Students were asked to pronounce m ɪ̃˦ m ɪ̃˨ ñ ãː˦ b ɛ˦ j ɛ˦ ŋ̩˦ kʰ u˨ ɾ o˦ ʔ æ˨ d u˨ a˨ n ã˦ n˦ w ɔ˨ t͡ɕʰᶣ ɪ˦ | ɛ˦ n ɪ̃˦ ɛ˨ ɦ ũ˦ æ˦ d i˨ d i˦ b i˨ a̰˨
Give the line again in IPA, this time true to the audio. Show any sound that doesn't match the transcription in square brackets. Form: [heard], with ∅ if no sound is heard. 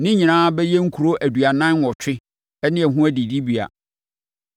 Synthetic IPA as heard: [n] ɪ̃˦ [ɲ] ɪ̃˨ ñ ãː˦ b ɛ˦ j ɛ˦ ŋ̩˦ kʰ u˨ ɾ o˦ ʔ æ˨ d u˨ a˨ n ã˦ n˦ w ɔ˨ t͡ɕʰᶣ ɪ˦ | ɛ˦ n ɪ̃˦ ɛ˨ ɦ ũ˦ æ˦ d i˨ d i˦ b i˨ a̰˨